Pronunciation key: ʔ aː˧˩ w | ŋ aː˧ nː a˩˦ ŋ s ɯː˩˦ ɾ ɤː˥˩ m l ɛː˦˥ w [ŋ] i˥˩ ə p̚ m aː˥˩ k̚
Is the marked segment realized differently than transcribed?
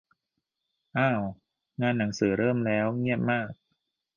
no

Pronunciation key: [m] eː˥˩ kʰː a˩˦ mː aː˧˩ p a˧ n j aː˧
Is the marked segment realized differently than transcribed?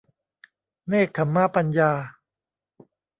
yes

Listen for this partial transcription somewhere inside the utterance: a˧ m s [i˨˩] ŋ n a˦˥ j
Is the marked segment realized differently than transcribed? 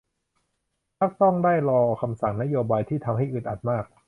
yes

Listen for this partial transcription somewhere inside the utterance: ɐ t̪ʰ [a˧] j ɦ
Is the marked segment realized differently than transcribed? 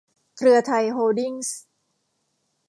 no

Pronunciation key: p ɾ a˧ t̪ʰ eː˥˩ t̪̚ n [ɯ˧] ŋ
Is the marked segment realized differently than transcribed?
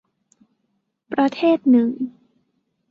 yes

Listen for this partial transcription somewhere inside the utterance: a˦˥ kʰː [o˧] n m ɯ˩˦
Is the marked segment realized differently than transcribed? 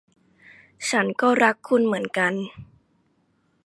yes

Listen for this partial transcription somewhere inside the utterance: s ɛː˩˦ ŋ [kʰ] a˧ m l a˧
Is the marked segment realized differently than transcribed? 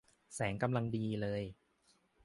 yes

